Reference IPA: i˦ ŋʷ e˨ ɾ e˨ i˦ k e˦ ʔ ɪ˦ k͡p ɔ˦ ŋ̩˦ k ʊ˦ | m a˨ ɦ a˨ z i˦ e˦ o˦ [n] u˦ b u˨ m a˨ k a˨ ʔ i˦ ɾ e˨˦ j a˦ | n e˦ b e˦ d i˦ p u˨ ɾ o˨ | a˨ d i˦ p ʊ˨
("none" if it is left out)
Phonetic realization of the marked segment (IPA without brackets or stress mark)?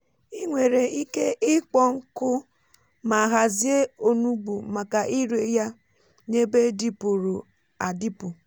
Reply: n